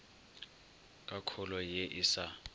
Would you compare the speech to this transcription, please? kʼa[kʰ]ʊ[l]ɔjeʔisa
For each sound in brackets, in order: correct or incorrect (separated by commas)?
correct, correct